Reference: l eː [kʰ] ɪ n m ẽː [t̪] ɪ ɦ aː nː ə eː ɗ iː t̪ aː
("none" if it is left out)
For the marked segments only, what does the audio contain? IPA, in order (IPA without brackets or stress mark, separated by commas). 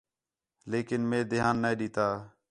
k, d̪